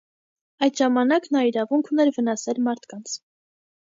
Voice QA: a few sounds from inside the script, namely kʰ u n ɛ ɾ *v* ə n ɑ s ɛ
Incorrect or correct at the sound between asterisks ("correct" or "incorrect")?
correct